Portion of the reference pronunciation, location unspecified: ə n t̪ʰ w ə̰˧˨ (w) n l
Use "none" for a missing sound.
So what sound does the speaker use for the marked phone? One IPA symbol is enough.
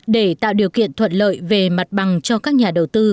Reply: none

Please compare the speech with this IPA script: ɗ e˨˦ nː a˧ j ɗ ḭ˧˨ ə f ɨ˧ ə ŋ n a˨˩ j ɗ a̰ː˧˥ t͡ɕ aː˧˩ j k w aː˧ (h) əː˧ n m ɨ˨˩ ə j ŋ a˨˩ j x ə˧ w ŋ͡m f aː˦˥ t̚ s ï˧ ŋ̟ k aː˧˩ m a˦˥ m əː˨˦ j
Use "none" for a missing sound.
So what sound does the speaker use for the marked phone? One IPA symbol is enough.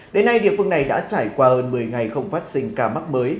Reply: h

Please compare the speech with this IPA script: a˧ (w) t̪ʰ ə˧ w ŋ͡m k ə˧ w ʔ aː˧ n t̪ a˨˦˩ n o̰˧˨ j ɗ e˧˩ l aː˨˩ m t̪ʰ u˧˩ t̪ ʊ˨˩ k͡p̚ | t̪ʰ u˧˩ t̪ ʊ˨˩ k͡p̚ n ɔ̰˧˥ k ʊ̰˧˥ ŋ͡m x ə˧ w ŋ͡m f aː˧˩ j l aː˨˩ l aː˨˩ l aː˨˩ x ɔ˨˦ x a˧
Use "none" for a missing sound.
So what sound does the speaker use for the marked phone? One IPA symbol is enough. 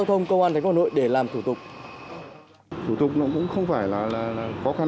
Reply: w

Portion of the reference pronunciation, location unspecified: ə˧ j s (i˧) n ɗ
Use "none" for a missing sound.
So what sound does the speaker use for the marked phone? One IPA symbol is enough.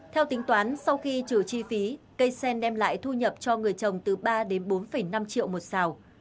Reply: ɛ˧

